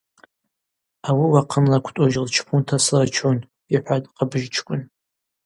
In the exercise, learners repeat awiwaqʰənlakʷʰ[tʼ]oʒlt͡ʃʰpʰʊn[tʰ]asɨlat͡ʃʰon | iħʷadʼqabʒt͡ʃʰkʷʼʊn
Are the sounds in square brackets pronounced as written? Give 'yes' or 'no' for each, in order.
yes, yes

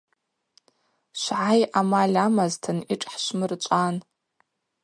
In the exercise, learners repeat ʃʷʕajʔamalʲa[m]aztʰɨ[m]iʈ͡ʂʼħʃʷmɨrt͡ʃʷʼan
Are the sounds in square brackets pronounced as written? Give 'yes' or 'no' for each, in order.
yes, no

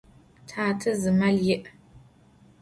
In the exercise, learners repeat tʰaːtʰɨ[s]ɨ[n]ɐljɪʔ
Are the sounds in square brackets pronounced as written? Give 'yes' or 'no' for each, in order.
no, no

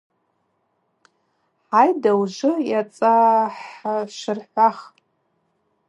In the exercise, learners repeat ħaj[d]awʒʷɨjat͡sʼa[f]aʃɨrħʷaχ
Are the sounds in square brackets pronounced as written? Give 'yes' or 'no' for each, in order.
yes, no

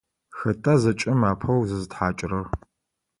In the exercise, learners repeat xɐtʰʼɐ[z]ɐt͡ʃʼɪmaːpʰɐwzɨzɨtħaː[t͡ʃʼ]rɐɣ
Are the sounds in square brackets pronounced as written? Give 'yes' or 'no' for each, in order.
yes, yes

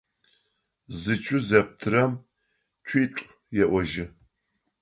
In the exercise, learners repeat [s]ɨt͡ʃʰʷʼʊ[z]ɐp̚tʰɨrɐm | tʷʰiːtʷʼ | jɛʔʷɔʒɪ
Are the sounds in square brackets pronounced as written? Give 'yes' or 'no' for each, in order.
no, yes

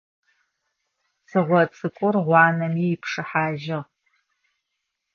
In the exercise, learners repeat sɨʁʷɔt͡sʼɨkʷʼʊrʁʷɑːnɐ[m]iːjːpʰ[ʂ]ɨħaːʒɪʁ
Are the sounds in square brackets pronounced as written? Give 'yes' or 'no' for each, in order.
yes, yes

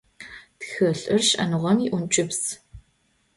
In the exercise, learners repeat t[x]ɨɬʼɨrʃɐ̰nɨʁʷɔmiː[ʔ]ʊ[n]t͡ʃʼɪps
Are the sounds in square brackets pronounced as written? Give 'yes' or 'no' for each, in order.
yes, yes, yes

